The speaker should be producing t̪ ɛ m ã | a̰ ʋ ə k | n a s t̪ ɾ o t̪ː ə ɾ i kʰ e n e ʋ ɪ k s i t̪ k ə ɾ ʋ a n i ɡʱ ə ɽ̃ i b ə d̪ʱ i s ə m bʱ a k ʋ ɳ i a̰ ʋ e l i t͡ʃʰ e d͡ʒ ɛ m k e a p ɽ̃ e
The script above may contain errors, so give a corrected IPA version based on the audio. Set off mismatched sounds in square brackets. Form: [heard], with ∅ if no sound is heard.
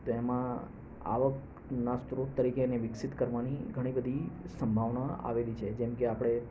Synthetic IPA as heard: t̪ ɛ m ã | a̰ ʋ ə k | n a s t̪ ɾ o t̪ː ə ɾ i [k] e n e ʋ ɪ k s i t̪ k ə ɾ ʋ a n i ɡʱ ə ɽ̃ i b ə d̪ʱ i s ə m bʱ a [∅] ʋ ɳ [a] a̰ ʋ e l i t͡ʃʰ e d͡ʒ ɛ m k e a p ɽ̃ e

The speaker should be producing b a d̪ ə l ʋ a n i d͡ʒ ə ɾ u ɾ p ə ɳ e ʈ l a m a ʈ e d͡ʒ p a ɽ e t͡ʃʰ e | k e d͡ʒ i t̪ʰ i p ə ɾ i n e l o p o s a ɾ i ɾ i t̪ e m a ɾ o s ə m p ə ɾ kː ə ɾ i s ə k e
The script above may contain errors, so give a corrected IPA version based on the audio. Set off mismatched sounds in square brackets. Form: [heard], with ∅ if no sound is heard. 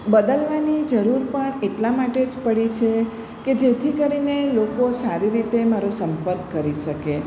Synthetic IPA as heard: b [ə] d̪ ə l ʋ a n i d͡ʒ ə ɾ u ɾ p ə ɳ e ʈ l a m a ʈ e d͡ʒ p [ə] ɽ [i] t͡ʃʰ e | k e d͡ʒ [e] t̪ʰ i [k] ə ɾ i n e l o [k] o s a ɾ i ɾ i t̪ e m a ɾ o s ə m p ə ɾ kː ə ɾ i [ʃ] ə k e

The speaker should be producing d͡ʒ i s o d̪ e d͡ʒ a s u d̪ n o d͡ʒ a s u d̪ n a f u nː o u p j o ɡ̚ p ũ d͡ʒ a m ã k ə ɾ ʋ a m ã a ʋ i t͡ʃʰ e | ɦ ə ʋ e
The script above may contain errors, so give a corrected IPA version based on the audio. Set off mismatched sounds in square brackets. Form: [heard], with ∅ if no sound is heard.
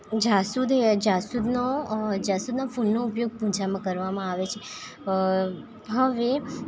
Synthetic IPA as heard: d͡ʒ [a] s [u] d̪ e d͡ʒ a s u d̪ n o d͡ʒ a s u d̪ n a f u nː o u p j o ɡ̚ p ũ d͡ʒ a m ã k ə ɾ ʋ a m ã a ʋ [e] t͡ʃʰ e | ɦ ə ʋ e

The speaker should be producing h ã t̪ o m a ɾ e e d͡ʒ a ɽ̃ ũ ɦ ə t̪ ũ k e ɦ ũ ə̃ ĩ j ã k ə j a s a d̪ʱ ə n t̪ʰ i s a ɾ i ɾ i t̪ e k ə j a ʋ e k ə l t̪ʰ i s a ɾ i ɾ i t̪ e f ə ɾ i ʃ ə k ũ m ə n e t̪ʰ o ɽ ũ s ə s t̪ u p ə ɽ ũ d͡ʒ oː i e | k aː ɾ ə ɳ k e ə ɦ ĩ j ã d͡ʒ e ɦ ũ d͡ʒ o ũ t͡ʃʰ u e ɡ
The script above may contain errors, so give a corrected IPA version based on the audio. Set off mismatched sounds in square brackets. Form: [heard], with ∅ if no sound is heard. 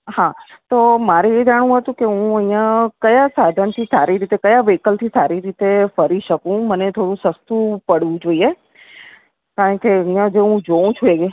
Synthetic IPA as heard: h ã t̪ o m a ɾ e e d͡ʒ a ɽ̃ ũ ɦ ə t̪ ũ k e ɦ ũ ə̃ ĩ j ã k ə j a s a d̪ʱ ə n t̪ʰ i s a ɾ i ɾ i t̪ e k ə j a ʋ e k ə l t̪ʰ i s a ɾ i ɾ i t̪ e f ə ɾ i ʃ ə k ũ m ə n e t̪ʰ o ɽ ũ s ə s t̪ u p ə ɽ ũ d͡ʒ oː i e | k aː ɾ ə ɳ k e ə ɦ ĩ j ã d͡ʒ e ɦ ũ d͡ʒ o ũ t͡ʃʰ u e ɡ

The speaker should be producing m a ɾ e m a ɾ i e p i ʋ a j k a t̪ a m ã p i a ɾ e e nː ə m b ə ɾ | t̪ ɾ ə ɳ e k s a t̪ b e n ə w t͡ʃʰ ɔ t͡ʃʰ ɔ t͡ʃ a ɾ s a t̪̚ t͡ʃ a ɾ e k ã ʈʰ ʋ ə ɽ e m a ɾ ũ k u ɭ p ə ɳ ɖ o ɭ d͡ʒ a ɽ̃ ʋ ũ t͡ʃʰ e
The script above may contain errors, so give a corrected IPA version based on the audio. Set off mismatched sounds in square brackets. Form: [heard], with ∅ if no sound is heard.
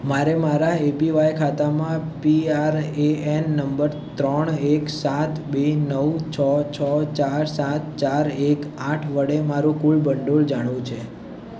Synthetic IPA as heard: m a ɾ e m a ɾ [a] e p i ʋ a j [kʰ] a t̪ a m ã p i a ɾ e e nː ə m b ə ɾ | t̪ ɾ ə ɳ e k s a t̪ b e n ə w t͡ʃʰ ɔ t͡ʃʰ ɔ t͡ʃ a ɾ s a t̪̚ t͡ʃ a ɾ e k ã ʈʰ ʋ ə ɽ e m a ɾ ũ k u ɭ [b] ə ɳ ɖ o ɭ d͡ʒ a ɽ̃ ʋ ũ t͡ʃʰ e

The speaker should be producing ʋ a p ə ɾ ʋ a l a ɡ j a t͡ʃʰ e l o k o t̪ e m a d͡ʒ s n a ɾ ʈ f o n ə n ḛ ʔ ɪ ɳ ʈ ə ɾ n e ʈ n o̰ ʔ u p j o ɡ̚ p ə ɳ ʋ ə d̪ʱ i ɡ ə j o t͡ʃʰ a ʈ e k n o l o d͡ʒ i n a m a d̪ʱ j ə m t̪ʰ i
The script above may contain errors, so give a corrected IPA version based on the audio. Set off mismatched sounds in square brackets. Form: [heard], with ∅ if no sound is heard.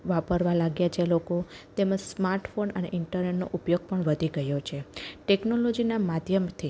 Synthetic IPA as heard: ʋ a p ə ɾ ʋ a l a ɡ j a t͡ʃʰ e l o k o t̪ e m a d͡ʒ s [m] a ɾ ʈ f o n ə n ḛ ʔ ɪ ɳ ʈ ə ɾ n e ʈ n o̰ ʔ u p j o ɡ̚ p ə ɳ ʋ ə d̪ʱ i ɡ ə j o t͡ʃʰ [e] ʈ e k n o l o d͡ʒ i n a m a d̪ʱ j ə m t̪ʰ i

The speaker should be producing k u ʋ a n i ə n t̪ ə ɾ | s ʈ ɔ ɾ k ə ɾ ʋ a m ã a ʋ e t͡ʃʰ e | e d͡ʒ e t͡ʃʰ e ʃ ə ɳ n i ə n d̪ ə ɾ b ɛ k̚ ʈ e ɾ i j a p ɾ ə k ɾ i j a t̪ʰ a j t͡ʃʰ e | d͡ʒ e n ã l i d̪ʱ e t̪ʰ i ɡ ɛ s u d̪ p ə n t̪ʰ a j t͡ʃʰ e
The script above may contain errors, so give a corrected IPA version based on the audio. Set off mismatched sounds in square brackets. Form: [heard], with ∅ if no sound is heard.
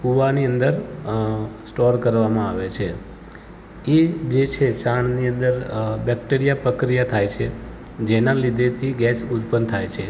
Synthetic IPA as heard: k u ʋ a n i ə n [d̪] ə ɾ | s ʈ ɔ ɾ k ə ɾ ʋ a m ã a ʋ e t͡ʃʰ e | e d͡ʒ e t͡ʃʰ e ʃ [a] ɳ n i ə n d̪ ə ɾ b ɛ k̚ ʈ e ɾ i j a p ɾ ə k ɾ i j a t̪ʰ a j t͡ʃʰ e | d͡ʒ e n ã l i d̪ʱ e t̪ʰ i ɡ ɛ s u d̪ p ə n t̪ʰ a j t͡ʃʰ e

